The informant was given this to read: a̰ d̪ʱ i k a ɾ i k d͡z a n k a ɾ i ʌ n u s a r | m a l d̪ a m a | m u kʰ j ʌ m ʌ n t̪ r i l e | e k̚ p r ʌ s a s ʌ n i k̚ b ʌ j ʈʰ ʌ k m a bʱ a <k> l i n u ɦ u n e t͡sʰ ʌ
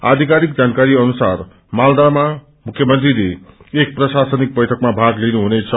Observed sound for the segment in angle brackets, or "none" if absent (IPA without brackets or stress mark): ɡ